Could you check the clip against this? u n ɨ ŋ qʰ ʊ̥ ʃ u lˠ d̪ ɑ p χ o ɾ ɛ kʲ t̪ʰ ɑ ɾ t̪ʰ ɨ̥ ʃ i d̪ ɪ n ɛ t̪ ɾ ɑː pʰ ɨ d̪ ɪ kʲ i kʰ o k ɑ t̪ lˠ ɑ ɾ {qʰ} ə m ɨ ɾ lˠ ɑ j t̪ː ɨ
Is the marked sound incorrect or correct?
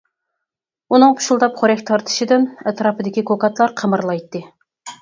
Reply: correct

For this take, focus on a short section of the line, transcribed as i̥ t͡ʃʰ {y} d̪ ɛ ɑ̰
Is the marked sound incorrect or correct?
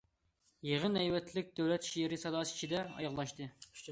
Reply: incorrect: i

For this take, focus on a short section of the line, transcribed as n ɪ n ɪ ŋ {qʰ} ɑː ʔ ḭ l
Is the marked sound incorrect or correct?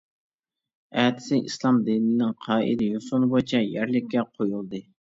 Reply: correct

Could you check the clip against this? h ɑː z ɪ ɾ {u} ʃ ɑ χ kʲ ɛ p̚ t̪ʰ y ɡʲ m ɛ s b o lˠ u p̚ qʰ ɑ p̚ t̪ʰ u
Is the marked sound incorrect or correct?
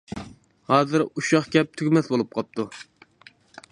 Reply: correct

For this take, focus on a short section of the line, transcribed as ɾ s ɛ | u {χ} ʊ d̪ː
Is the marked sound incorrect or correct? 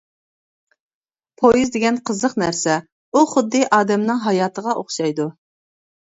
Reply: correct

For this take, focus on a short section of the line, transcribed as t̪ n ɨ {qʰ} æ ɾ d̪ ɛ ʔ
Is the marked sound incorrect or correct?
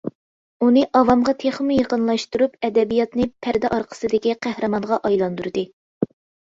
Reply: incorrect: pʰ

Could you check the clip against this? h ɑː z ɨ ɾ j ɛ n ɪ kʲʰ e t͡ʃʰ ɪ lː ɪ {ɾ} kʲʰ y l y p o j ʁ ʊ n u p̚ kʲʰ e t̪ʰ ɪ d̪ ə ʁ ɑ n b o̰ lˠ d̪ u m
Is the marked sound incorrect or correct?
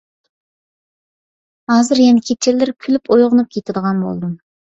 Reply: correct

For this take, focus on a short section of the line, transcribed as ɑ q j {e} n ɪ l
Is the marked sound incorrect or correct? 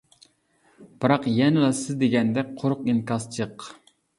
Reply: incorrect: ɛ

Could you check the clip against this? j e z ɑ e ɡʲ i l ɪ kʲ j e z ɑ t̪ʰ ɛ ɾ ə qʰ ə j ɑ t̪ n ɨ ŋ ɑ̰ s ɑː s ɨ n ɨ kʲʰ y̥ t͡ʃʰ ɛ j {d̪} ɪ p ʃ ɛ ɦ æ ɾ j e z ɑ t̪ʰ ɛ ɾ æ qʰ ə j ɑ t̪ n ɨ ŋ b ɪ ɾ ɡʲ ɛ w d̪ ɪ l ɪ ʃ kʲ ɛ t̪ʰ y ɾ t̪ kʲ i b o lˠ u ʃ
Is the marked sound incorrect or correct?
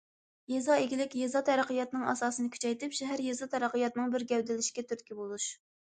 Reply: incorrect: t̪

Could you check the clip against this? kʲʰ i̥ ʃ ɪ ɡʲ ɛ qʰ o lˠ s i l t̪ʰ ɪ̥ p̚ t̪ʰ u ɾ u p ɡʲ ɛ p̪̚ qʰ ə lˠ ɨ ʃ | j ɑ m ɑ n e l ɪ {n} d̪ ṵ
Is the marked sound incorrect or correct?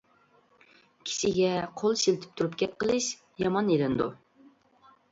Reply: correct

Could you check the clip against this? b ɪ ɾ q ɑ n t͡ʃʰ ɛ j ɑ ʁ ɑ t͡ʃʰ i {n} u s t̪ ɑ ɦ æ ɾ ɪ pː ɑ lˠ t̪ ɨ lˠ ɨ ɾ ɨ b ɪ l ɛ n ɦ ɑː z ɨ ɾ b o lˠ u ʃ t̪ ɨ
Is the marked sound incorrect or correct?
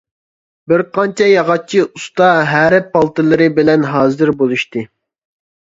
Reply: incorrect: none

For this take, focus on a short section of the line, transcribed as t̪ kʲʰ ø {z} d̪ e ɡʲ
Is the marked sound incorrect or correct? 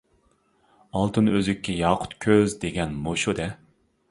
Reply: correct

